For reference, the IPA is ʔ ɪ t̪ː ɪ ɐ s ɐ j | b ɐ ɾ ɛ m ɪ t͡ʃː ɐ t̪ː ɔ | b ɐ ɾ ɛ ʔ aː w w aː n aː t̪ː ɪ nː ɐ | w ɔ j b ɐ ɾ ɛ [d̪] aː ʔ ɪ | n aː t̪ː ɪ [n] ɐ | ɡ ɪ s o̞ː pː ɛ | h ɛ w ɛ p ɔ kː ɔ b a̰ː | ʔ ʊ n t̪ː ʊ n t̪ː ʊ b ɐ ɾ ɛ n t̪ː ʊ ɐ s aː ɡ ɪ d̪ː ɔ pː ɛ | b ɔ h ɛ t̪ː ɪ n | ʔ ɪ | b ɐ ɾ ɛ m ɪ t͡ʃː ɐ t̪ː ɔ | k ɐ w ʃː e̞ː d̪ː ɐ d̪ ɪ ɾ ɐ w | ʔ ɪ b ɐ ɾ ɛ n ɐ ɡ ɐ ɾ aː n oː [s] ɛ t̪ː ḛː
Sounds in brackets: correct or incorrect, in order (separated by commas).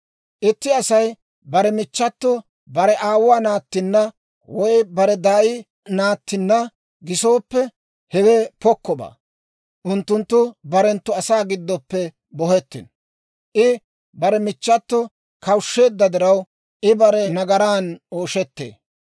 correct, incorrect, incorrect